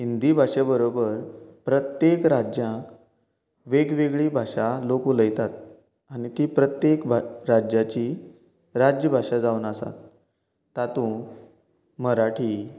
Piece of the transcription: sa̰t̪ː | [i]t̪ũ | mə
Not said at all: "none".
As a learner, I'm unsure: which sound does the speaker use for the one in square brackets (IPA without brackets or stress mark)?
a